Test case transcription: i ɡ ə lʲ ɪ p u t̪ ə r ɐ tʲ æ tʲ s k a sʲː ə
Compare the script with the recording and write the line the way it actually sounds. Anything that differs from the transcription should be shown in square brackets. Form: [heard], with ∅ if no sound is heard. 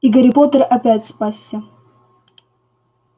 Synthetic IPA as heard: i ɡ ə [ɾʲ] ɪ p [o] t̪ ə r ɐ [pʲ] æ tʲ s [p] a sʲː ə

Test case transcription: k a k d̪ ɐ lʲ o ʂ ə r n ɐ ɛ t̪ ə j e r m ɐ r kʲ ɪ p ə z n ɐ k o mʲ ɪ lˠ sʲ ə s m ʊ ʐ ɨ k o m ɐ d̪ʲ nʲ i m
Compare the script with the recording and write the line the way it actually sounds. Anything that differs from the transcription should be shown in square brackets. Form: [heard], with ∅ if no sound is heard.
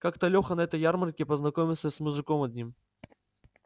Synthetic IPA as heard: k a k [t̪] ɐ lʲ o [x] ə [∅] n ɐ ɛ t̪ ə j [a] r m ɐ r kʲ ɪ p ə z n ɐ k o mʲ ɪ lˠ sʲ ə s m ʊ ʐ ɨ k o m ɐ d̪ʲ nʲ i m

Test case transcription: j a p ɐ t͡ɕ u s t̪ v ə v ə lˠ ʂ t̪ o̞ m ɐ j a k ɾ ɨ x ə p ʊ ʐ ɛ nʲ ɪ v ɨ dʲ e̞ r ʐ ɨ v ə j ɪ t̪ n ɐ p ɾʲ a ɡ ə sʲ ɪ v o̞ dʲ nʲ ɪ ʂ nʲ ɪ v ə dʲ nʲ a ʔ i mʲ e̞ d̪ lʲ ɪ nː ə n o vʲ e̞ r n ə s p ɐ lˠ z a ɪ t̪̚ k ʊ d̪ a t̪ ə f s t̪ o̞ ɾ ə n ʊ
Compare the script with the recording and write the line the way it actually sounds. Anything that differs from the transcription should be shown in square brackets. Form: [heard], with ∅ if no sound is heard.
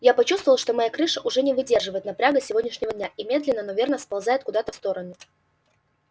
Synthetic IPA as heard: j a p ɐ t͡ɕ u s t̪ v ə v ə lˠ ʂ t̪ o̞ m ɐ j a k ɾ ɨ [ʂ] ə [ʔ] ʊ ʐ ɛ nʲ ɪ v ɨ dʲ e̞ r ʐ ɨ v ə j ɪ t̪ n ɐ p ɾʲ a ɡ ə sʲ ɪ v o̞ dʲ nʲ ɪ ʂ nʲ ɪ v ə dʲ nʲ a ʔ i mʲ e̞ d̪ lʲ ɪ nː ə n o vʲ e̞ r n ə s p ɐ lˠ z a ɪ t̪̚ k ʊ d̪ a t̪ ə f s t̪ o̞ ɾ ə n ʊ

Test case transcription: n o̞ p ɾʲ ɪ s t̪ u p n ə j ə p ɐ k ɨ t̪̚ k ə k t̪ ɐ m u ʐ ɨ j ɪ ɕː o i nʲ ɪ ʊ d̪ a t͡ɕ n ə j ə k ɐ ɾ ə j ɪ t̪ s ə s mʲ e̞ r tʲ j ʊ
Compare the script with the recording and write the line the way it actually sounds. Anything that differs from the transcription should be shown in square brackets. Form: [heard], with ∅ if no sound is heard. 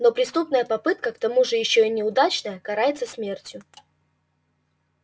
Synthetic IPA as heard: n o̞ p ɾʲ ɪ s t̪ u p n ə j ə p ɐ [p] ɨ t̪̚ k ə k t̪ ɐ m u ʐ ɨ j ɪ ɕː o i nʲ ɪ ʊ d̪ a t͡ɕ n ə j ə k ɐ ɾ [a] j ɪ t̪ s ə s mʲ e̞ r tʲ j ʊ

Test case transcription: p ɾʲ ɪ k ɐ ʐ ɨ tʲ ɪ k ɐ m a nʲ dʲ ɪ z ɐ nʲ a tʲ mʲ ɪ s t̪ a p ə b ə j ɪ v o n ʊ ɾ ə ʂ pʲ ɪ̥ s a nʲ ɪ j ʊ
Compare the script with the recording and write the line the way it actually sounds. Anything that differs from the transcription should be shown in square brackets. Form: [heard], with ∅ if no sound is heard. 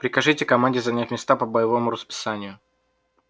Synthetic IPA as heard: p ɾʲ ɪ k ɐ ʐ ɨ tʲ ɪ k ɐ m a nʲ dʲ ɪ z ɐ nʲ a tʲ mʲ ɪ s t̪ a p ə b ə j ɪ v o [m] ʊ ɾ ə [s] pʲ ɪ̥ s a nʲ ɪ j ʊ

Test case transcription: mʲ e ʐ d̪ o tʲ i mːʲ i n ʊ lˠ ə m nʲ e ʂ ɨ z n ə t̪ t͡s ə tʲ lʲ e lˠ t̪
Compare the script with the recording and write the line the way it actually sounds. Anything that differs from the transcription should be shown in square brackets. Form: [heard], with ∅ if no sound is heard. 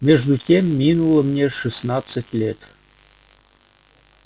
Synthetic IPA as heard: mʲ e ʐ d̪ [u] tʲ [e] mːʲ i n [u] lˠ ə m nʲ e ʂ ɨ [s] n [ɑ] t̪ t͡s ə tʲ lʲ e [∅] t̪

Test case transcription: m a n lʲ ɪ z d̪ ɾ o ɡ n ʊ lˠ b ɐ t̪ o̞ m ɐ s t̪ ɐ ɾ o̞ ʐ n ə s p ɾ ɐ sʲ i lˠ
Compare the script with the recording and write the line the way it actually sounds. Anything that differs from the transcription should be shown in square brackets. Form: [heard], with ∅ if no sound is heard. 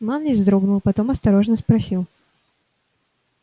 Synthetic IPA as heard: m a n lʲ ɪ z d̪ ɾ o ɡ n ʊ lˠ [p] ɐ t̪ o̞ m ɐ s t̪ ɐ ɾ o̞ ʐ n ə s p ɾ ɐ sʲ i lˠ

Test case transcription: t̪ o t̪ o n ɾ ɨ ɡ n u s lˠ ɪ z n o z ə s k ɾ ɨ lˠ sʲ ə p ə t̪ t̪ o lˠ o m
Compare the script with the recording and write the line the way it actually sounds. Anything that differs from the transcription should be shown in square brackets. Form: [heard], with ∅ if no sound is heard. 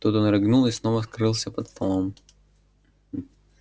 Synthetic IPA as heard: t̪ [u] t̪ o n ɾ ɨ ɡ n u [∅] lˠ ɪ [s] n o [v] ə s k ɾ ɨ lˠ sʲ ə p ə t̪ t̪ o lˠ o m

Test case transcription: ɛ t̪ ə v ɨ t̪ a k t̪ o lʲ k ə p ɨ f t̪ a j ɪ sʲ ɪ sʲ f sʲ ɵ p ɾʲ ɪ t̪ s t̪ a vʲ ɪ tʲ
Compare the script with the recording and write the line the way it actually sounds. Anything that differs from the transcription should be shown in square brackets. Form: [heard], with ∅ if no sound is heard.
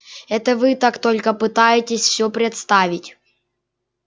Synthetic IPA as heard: ɛ t̪ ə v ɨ t̪ a k t̪ o lʲ k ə p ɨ [∅] t̪ a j ɪ [tʲ] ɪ sʲ f sʲ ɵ p ɾʲ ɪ t̪ s t̪ a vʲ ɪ tʲ

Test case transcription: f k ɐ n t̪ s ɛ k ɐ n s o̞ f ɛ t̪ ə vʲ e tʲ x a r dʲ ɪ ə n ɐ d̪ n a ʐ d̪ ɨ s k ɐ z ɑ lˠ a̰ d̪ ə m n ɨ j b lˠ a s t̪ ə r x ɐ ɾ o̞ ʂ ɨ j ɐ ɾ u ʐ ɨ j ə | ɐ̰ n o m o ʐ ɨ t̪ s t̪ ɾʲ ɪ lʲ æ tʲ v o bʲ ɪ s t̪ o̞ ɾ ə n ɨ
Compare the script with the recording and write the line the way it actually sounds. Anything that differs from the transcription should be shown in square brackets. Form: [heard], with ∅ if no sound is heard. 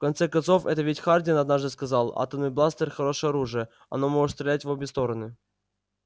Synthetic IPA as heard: f k ɐ n t̪ s ɛ k ɐ n s o̞ f ɛ t̪ ə vʲ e tʲ x a r dʲ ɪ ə n ɐ d̪ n a ʐ d̪ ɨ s k ɐ z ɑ lˠ a̰ [t̪] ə m n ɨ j b lˠ a s t̪ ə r x ɐ ɾ o̞ ʂ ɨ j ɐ ɾ u ʐ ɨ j ə | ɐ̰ n o m o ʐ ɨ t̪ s t̪ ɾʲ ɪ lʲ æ tʲ v o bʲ ɪ s t̪ o̞ ɾ ə n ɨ

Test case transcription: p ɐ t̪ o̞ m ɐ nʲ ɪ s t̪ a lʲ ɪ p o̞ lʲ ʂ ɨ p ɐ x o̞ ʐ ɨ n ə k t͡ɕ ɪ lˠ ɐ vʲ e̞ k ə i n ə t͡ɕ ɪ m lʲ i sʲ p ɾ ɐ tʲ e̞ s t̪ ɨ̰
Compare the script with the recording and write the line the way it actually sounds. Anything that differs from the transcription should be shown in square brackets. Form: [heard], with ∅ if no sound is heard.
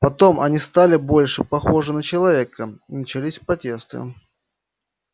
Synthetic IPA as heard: p ɐ t̪ o̞ m ɐ nʲ [i] s t̪ a lʲ ɪ [b] o̞ lʲ ʂ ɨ p ɐ x o̞ ʐ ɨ n ə [∅] t͡ɕ ɪ lˠ ɐ vʲ e̞ k ə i n ə t͡ɕ ɪ [∅] lʲ i sʲ p ɾ ɐ tʲ e̞ s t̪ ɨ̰

